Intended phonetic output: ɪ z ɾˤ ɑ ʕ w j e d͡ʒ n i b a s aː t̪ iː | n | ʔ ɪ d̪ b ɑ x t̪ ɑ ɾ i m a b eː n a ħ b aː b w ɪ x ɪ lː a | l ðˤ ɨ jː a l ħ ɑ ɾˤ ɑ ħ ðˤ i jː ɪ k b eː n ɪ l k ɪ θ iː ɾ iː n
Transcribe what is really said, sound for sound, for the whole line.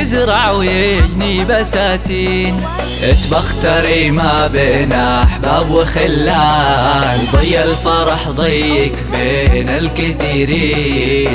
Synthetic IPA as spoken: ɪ z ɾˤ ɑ ʕ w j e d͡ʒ n i b a s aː t̪ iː | n | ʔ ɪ t̪ b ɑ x t̪ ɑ ɾ i m a b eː n a ħ b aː b w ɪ x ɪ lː a | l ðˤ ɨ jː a l f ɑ ɾˤ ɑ ħ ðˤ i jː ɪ k b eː n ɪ l k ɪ θ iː ɾ iː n